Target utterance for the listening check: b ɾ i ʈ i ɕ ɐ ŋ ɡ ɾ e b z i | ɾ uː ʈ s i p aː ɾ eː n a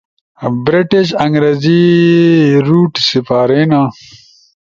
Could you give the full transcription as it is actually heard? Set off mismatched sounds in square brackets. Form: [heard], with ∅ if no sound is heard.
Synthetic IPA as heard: b ɾ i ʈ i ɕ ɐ ŋ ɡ ɾ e [∅] z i | ɾ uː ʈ s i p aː ɾ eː n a